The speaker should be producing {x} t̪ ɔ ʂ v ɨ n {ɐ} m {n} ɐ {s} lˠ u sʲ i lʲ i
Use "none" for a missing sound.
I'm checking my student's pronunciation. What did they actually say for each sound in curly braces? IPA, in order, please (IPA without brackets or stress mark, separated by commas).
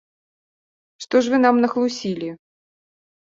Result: ʂ, a, n, x